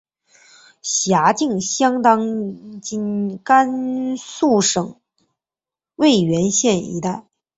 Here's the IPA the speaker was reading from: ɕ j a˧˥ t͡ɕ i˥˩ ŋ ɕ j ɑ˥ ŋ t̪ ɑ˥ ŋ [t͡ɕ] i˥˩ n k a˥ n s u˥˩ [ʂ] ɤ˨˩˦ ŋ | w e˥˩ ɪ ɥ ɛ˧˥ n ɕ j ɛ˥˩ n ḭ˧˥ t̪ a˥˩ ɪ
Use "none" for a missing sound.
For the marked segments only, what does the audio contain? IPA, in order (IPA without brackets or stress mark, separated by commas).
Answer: t͡ɕ, ʂ